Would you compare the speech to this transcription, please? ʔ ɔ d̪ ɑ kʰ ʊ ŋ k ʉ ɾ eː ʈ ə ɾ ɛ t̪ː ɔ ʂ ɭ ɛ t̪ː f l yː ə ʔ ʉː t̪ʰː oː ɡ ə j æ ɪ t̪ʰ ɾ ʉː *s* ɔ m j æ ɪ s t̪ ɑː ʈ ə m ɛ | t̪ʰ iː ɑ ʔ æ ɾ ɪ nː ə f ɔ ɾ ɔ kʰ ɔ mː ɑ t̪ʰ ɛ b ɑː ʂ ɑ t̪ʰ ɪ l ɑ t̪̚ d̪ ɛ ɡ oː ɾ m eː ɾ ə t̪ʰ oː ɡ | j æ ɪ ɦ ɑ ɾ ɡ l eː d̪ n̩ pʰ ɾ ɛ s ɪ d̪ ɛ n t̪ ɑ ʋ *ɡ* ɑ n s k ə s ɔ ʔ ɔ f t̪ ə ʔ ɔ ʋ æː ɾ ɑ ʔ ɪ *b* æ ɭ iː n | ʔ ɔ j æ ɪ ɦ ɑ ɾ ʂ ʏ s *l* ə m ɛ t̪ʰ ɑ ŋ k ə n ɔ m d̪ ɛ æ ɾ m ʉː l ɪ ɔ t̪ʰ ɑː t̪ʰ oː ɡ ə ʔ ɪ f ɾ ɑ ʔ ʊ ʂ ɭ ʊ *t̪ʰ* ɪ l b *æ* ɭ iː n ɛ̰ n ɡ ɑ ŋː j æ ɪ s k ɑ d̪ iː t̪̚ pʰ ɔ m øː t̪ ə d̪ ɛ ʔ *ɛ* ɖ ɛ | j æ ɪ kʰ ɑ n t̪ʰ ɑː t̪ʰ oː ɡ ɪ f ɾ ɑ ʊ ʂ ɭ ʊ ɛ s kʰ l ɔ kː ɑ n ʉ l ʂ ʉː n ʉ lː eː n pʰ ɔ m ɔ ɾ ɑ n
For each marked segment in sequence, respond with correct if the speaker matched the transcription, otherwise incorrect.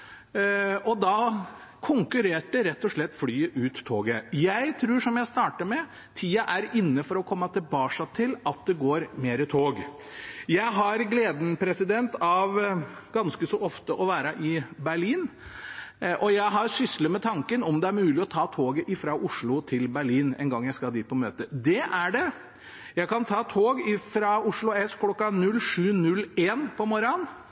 incorrect, correct, correct, correct, correct, correct, incorrect

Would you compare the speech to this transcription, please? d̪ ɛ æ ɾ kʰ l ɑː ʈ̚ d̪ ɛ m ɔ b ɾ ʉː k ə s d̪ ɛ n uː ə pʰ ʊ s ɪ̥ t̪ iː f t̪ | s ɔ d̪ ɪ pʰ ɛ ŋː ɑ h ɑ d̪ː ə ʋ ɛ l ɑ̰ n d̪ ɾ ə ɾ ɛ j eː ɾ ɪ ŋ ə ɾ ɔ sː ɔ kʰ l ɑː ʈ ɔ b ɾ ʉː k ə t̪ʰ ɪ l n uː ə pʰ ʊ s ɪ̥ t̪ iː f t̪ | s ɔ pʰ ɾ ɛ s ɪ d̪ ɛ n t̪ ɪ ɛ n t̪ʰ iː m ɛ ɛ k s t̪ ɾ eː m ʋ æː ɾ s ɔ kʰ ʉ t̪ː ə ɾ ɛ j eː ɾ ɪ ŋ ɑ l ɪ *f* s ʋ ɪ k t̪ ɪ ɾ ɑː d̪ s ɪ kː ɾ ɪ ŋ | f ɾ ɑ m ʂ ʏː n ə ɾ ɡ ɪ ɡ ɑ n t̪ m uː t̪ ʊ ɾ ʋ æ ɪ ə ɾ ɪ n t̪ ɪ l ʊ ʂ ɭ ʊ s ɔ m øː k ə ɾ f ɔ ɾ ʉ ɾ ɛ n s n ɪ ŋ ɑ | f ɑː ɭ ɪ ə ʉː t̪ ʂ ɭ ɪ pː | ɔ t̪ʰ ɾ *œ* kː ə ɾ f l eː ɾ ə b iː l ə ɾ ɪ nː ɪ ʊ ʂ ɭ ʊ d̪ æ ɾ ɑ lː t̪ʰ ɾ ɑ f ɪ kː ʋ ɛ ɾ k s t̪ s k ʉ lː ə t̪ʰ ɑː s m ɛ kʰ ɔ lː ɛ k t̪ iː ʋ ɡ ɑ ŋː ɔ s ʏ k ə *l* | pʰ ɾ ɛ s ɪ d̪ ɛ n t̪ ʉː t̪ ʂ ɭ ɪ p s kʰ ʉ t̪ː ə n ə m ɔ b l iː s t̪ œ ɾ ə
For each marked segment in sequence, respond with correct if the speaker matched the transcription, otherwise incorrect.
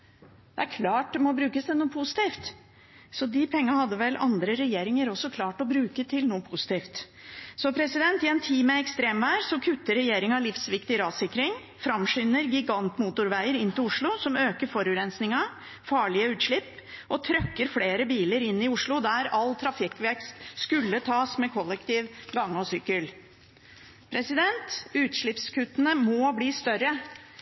correct, correct, correct

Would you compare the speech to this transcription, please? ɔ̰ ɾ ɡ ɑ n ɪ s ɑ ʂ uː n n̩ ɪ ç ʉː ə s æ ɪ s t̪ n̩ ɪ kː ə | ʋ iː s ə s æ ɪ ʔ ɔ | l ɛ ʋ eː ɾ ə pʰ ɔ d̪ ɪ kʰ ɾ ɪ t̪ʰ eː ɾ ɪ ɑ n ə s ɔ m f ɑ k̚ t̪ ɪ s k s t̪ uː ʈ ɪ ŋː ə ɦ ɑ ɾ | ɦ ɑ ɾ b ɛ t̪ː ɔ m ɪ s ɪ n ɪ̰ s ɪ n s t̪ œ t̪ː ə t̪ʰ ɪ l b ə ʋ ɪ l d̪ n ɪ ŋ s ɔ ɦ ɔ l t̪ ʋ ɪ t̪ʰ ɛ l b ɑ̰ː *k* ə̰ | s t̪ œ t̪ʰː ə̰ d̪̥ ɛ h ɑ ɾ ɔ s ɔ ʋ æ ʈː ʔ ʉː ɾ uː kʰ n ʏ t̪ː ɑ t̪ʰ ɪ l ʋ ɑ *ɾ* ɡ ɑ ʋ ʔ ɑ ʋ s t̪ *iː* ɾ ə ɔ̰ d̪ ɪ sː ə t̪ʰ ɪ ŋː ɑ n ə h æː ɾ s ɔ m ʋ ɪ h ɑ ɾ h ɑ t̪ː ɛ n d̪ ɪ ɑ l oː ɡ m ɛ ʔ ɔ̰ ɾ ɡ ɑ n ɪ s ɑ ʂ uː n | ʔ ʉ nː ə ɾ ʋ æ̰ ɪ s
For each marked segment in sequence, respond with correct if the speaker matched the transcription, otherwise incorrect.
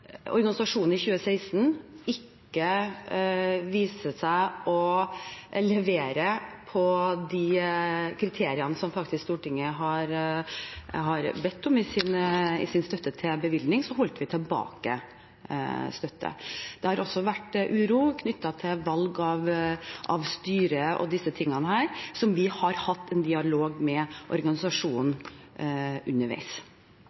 correct, incorrect, incorrect

